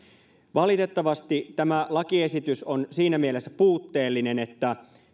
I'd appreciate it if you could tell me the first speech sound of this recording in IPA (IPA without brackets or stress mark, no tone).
ʋ